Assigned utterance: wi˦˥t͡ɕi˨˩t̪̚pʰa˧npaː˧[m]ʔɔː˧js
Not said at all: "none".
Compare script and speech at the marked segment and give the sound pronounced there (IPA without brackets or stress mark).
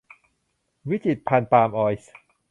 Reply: m